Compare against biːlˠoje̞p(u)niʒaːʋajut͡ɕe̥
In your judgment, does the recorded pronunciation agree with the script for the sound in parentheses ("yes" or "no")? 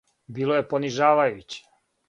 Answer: no